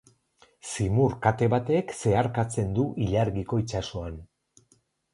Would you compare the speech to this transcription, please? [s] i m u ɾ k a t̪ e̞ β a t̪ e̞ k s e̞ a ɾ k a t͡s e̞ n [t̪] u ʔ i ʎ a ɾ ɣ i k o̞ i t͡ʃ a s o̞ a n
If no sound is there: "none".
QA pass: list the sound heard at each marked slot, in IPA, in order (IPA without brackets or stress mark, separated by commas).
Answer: s, d̪